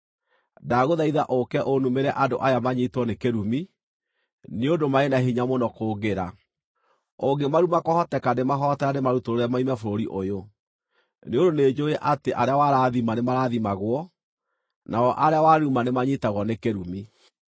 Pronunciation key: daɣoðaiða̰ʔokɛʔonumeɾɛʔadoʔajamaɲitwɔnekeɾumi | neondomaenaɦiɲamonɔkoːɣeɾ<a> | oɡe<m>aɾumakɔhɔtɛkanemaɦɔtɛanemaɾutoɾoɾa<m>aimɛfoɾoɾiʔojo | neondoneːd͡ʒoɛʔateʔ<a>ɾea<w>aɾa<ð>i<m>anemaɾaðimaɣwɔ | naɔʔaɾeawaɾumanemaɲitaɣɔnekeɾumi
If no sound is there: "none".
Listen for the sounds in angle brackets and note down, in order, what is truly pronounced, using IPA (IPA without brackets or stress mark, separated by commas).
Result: a, m, m, a, w, ð, m